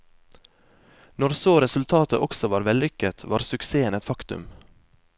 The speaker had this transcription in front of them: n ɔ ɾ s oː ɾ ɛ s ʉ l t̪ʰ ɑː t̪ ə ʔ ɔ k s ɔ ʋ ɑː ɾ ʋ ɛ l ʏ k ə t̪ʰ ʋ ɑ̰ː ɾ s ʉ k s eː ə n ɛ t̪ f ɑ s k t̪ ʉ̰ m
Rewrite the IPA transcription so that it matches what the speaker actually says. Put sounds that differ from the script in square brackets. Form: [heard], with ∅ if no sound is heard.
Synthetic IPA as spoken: n ɔ ɾ s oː ɾ ɛ s ʉ l t̪ʰ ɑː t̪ ə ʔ ɔ k s ɔ ʋ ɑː ɾ ʋ ɛ l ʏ k ə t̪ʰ ʋ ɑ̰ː ɾ s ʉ k s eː ə n ɛ t̪ f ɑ [∅] k t̪ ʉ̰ m